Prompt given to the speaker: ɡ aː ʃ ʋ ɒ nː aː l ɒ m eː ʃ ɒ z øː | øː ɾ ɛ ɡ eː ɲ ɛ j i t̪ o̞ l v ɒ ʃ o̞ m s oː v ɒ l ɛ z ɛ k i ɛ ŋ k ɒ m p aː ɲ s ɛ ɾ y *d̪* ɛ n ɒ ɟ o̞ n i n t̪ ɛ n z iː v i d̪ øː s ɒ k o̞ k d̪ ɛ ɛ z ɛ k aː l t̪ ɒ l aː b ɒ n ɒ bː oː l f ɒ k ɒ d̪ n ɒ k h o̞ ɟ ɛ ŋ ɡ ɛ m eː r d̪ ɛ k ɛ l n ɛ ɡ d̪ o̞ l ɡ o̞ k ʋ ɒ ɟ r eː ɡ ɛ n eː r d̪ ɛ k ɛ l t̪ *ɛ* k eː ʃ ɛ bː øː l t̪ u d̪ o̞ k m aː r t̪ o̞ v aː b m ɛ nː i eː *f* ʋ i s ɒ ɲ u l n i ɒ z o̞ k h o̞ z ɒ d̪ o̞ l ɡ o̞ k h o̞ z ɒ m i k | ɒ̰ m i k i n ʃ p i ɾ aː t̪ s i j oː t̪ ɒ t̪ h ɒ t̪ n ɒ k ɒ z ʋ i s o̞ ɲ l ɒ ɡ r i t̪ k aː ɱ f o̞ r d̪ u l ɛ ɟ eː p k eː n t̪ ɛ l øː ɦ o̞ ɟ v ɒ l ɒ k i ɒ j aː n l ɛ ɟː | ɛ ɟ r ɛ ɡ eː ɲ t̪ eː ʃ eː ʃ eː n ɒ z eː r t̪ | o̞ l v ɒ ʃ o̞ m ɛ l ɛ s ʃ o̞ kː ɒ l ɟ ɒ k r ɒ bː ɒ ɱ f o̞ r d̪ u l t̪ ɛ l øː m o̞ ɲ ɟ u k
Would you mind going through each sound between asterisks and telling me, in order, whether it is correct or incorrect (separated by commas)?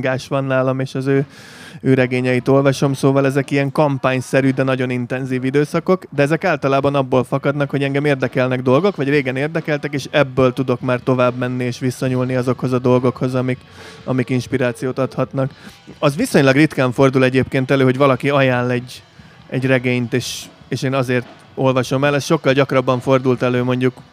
correct, correct, incorrect